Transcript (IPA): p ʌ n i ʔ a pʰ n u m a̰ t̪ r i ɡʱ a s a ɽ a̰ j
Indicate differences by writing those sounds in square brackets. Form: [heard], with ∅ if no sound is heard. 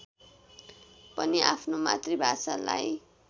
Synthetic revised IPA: p ʌ n i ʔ a pʰ n [o] m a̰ t̪ r i [bʱ] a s a [l] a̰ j